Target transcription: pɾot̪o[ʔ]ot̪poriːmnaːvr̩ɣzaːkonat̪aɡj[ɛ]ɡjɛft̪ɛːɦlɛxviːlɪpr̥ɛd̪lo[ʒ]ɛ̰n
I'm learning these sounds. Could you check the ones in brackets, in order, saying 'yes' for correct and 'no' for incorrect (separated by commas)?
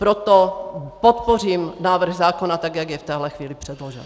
no, no, yes